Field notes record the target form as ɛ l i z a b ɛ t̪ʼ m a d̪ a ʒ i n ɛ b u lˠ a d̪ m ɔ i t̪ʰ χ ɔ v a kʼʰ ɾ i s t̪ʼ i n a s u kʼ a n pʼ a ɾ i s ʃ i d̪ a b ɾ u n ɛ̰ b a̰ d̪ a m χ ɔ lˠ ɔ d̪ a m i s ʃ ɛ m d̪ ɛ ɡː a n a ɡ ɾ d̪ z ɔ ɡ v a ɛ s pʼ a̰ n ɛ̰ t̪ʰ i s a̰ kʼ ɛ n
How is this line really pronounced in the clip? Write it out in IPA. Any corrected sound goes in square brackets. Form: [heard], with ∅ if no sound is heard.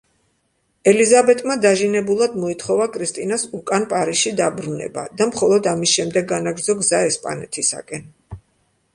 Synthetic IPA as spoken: ɛ l i z a b ɛ t̪ʼ m a d̪ a ʒ i n ɛ b u lˠ a d̪ m ɔ i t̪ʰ χ ɔ v a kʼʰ ɾ i s t̪ʼ i n a s u kʼ a n pʼ a ɾ i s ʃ i d̪ a b ɾ u n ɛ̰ b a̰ d̪ a m χ ɔ lˠ ɔ d̪ a m i s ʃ ɛ m d̪ ɛ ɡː a n a ɡ ɾ d̪ z ɔ ɡ [z] a ɛ s pʼ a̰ n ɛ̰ t̪ʰ i s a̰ kʼ ɛ n